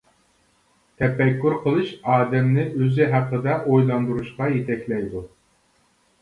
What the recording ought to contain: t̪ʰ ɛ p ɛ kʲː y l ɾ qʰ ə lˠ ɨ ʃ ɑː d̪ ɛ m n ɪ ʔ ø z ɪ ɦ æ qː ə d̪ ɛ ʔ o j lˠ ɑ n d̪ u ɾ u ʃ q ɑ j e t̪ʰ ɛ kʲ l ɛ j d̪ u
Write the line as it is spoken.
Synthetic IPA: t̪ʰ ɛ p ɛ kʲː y ɾ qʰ ə lˠ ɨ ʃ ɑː d̪ ɛ m n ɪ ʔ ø z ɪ ɦ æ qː ə d̪ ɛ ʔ o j lˠ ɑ n d̪ u ɾ u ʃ q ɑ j e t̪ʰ ɛ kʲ l ɛ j d̪ u